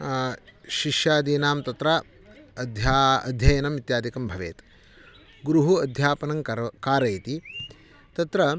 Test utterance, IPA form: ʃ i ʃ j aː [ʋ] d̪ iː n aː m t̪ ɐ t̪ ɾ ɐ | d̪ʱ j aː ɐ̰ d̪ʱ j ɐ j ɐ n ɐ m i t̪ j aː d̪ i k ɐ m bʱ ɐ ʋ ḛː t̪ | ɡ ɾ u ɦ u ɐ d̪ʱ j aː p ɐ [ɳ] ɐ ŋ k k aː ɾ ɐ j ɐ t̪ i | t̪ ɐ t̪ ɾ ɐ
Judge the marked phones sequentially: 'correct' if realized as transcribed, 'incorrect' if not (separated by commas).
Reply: incorrect, incorrect